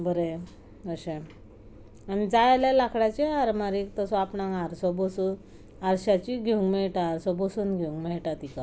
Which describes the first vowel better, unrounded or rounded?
unrounded